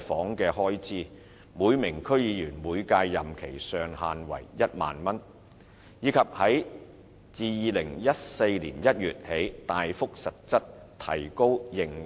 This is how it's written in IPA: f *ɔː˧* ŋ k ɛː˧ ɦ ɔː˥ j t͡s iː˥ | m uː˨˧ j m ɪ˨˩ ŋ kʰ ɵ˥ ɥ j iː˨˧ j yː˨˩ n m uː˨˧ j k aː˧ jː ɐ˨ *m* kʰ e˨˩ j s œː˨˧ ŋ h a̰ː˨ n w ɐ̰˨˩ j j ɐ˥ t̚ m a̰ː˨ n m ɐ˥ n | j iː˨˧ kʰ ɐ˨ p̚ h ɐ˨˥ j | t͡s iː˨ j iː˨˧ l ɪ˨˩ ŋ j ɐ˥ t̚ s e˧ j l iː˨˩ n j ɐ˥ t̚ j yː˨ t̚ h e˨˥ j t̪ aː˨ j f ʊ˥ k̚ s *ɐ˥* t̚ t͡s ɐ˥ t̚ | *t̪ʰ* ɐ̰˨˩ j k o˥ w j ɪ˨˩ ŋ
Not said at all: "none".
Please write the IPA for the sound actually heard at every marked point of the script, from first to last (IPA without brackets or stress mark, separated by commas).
ɔː˨˥, m, ɐ˨, t̪ʰ